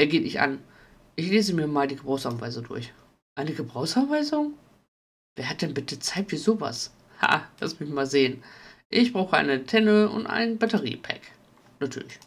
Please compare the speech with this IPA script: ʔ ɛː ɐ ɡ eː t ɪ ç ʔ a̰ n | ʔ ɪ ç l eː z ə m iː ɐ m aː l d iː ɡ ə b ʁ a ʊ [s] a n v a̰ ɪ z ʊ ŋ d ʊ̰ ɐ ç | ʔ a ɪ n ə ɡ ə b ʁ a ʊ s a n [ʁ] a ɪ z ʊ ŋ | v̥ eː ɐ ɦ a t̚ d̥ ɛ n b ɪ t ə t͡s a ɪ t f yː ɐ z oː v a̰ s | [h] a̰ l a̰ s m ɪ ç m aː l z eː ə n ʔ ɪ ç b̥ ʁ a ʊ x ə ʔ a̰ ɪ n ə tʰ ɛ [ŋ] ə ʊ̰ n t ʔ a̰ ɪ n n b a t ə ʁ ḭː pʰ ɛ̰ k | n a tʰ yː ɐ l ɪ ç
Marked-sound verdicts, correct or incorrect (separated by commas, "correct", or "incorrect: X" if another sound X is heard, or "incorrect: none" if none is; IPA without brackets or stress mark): correct, incorrect: v, correct, incorrect: n